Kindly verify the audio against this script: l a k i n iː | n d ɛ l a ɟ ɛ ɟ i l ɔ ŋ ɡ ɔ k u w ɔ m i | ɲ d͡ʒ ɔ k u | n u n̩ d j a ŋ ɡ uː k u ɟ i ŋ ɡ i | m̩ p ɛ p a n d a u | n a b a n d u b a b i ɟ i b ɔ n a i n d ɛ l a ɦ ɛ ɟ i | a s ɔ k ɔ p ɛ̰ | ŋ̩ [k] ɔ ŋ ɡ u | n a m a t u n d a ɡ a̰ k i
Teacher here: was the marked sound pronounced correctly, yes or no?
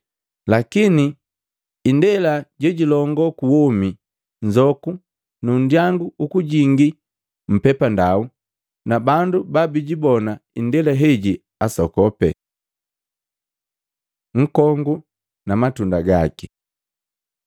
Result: yes